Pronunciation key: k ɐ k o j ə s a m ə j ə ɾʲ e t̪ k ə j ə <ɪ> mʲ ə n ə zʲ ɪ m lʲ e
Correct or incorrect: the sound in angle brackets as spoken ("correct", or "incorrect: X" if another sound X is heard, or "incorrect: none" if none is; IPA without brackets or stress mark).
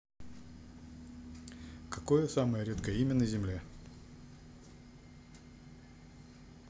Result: incorrect: i